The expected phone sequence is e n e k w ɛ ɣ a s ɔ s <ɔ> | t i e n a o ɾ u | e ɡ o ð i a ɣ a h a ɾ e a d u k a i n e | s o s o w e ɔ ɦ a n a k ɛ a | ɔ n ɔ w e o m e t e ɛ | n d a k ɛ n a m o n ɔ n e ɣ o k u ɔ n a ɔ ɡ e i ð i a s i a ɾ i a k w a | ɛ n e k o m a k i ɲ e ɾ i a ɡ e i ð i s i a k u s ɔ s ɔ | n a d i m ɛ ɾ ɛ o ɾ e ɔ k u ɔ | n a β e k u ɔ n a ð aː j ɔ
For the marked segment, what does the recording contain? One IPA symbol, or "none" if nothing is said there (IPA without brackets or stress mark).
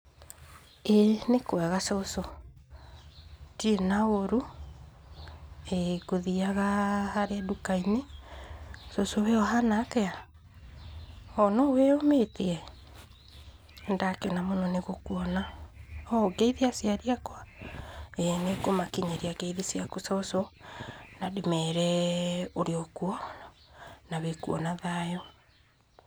o